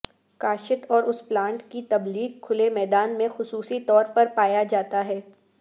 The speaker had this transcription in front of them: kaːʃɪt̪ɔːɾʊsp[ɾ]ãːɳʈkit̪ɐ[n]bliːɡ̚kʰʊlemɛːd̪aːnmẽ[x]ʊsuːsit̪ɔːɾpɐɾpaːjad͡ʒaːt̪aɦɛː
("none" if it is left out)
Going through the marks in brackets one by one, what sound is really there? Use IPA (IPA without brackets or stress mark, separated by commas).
l, none, x